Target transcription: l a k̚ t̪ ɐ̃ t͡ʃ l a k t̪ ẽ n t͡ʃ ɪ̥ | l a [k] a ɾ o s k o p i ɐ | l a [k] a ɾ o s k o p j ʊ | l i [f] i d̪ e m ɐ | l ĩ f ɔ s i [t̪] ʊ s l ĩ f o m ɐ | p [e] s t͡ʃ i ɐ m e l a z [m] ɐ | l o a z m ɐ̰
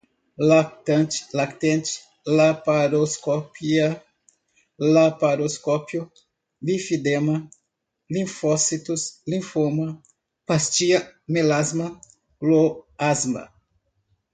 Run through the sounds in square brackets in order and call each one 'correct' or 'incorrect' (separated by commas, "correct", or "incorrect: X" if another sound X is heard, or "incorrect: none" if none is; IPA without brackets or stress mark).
incorrect: p, incorrect: p, correct, correct, incorrect: a, correct